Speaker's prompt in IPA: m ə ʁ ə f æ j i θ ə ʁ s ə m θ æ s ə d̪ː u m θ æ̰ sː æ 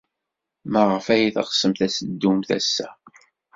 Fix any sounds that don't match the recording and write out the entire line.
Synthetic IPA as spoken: m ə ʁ ə f æ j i θ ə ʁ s ə m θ æ s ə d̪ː u m θ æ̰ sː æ